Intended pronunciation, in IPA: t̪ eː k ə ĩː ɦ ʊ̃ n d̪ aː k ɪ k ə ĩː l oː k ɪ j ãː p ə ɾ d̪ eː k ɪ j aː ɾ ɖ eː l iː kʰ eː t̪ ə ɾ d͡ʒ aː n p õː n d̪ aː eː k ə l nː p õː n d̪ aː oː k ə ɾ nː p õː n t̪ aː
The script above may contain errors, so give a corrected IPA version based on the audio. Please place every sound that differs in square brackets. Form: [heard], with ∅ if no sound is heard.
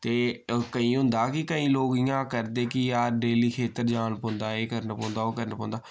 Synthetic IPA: t̪ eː k ə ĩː ɦ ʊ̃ n d̪ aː k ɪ k ə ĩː l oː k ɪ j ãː [k] ə ɾ d̪ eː k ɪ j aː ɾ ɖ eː l iː kʰ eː t̪ ə ɾ d͡ʒ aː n p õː n d̪ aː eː k ə [ɾ] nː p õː n d̪ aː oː k ə ɾ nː p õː n [d̪] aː